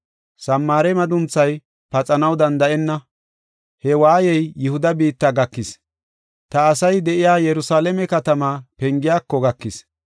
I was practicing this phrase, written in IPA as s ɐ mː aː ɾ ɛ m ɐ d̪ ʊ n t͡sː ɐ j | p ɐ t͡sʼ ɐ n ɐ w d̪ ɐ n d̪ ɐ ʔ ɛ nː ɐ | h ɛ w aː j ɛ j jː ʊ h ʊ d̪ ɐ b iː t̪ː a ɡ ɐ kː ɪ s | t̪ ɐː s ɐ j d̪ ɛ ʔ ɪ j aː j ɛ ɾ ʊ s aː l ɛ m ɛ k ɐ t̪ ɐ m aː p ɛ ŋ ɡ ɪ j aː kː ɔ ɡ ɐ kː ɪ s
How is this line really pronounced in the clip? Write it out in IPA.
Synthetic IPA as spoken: s ɐ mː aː ɾ ɛ m ɐ d̪ ʊ n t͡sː ɐ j | p ɐ t͡sʼ ɐ n ɐ w d̪ ɐ n d̪ ɐ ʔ ɛ nː ɐ | h ɛ w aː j ɛ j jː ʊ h ʊ d̪ ɐ b iː t̪ː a ɡ ɐ kː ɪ s | t̪ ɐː s ɐ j d̪ ɛ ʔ ɪ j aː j ɛ ɾ ʊ s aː l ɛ m ɛ k ɐ t̪ ɐ m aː p ɛ ŋ ɡ ɪ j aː kː ɔ ɡ ɐ kː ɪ s